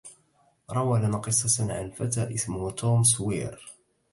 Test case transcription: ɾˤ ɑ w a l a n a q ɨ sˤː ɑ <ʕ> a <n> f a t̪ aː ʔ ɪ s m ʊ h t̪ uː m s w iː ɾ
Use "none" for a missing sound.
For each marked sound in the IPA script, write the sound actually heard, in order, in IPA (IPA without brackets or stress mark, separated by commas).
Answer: ʕ, n